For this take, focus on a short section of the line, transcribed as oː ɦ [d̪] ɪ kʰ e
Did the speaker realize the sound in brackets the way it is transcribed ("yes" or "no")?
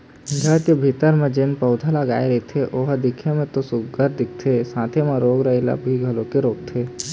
yes